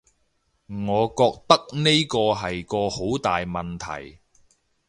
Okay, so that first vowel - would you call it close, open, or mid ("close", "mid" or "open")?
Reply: mid